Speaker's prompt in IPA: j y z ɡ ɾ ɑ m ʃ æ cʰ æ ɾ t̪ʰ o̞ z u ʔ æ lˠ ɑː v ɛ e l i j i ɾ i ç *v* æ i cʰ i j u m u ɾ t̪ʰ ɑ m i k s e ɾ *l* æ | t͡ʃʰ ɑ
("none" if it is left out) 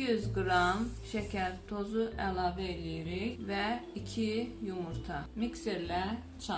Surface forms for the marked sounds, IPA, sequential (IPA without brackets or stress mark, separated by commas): v, l